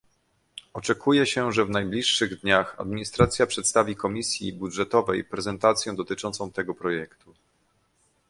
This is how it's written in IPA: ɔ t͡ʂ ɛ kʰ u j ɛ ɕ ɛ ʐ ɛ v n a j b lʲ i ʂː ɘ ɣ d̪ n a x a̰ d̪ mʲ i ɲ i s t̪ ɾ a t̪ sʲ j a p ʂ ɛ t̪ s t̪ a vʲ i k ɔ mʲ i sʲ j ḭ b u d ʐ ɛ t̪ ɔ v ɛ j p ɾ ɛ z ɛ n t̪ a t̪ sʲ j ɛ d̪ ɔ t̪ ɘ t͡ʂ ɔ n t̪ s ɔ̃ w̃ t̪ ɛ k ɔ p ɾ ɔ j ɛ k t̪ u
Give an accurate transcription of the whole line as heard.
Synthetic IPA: ɔ t͡ʂ ɛ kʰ u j ɛ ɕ ɛ ʐ ɛ v n a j b lʲ i ʂː ɘ ɣ d̪ ɲ a x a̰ d̪ mʲ i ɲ i s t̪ ɾ a t̪ sʲ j a p ʂ ɛ t̪ s t̪ a vʲ i k ɔ mʲ i sʲ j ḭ b u d ʐ ɛ t̪ ɔ v ɛ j p ɾ ɛ z ɛ n t̪ a t̪ sʲ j ɛ d̪ ɔ t̪ ɘ t͡ʂ ɔ n t̪ s ɔ̃ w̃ t̪ ɛ ɡ ɔ p ɾ ɔ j ɛ k t̪ u

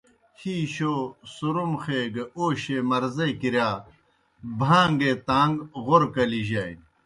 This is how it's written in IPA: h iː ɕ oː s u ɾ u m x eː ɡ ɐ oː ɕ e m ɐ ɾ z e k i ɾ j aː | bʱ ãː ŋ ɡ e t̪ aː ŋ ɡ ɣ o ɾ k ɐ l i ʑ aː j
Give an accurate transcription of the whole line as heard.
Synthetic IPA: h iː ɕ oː s u ɾ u m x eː ɡ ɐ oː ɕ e m ɐ ɾ z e k i ɾ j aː | bʱ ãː ŋ ɡ e t̪ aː ŋ ɡ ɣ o ɾ k ɐ l i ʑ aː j

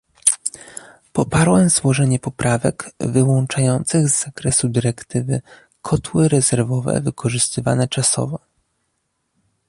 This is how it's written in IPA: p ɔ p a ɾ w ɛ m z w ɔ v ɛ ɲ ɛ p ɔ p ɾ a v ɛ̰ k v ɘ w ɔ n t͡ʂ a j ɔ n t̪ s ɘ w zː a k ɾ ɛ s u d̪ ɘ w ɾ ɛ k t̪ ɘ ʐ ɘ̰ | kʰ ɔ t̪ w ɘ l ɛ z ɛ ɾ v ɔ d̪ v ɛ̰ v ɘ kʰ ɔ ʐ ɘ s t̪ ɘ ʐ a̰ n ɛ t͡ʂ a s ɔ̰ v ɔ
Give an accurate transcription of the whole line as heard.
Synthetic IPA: p ɔ p a ɾ w ɛ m z w ɔ ʐ ɛ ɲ ɛ p ɔ p ɾ a v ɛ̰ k v ɘ w ɔ n t͡ʂ a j ɔ n t̪ s ɘ ɣ zː a k ɾ ɛ s u d̪ ɘ ɾ ɛ k t̪ ɘ v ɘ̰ | kʰ ɔ t̪ w ɘ ɾ ɛ z ɛ ɾ v ɔ v ɛ̰ v ɘ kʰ ɔ ʐ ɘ s t̪ ɘ v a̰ n ɛ t͡ʂ a s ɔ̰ v ɔ

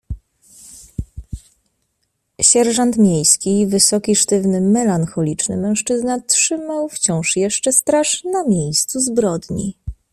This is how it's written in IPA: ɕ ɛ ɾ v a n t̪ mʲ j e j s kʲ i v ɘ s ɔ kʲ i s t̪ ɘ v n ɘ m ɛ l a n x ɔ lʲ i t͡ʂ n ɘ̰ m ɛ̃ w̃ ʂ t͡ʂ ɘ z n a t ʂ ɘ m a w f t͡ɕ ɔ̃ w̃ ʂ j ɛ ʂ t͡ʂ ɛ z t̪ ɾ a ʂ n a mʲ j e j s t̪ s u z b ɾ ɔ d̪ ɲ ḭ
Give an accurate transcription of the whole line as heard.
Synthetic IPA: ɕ ɛ ɾ ʐ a n t̪ mʲ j e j s kʲ i v ɘ s ɔ kʲ i ʂ t̪ ɘ v n ɘ m ɛ l a n x ɔ lʲ i t͡ʂ n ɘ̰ m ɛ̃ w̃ ʂ t͡ʂ ɘ z n a t ʂ ɘ m a w f t͡ɕ ɔ̃ w̃ ʂ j ɛ ʂ t͡ʂ ɛ s t̪ ɾ a ʂ n a mʲ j e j s t̪ s u z b ɾ ɔ d̪ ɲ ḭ

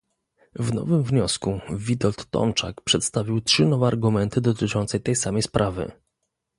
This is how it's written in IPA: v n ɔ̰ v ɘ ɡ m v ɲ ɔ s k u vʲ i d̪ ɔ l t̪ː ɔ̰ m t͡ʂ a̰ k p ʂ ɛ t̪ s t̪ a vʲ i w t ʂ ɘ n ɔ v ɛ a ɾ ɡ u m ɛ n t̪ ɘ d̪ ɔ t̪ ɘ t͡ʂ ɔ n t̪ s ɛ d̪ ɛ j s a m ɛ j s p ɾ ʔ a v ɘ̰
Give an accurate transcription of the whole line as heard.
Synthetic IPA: v n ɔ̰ v ɘ m v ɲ ɔ s k u vʲ i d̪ ɔ l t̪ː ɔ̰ m t͡ʂ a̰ k p ʂ ɛ t̪ s t̪ a vʲ i w t ʂ ɘ n ɔ v ɛ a ɾ ɡ u m ɛ n t̪ ɘ d̪ ɔ t̪ ɘ t͡ʂ ɔ n t̪ s ɛ t̪ ɛ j s a m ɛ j s p ɾ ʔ a v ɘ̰

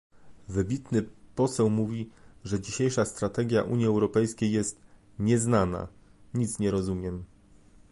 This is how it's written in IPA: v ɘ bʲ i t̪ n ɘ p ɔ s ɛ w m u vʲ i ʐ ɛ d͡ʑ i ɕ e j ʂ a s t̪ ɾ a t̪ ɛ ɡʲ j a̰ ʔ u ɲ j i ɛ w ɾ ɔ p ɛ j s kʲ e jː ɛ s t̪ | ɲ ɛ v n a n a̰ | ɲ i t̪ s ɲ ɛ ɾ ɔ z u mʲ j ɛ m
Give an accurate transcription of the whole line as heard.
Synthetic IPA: v ɘ bʲ i t̪ n ɘ p ɔ s ɛ w m u vʲ i ʐ ɛ d͡ʑ i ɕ e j ʂ a s t̪ ɾ a t̪ ɛ ɡʲ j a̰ ʔ u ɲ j i ɛ w ɾ ɔ p ɛ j s kʲ e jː ɛ s t̪ | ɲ ɛ z n a n a̰ | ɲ i t̪ s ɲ ɛ ɾ ɔ z u mʲ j ɛ m

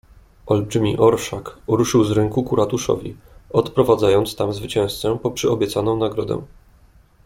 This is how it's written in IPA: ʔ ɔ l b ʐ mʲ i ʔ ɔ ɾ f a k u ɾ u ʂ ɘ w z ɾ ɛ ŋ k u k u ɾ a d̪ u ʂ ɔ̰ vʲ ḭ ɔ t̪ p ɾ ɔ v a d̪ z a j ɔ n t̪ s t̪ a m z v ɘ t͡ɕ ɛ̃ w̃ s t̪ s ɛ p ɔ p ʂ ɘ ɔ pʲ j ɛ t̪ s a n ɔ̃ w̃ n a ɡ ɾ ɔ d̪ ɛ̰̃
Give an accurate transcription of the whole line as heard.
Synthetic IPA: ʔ ɔ l b ʐ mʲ i ʔ ɔ ɾ ʂ a k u ɾ u ʂ ɘ w z ɾ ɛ ŋ k u k u ɾ a t̪ u ʂ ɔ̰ vʲ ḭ ɔ t̪ p ɾ ɔ v a d̪ z a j ɔ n t̪ s t̪ a m z v ɘ t͡ɕ ɛ̃ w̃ s t̪ s ɛ p ɔ p ʂ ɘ ɔ bʲ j ɛ t̪ s a n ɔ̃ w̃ n a ɡ ɾ ɔ d̪ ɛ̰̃

